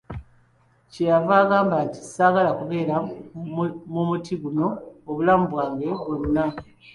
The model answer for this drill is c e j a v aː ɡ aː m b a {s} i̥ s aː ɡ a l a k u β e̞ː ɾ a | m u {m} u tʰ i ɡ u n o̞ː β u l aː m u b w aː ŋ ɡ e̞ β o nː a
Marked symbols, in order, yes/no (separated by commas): no, yes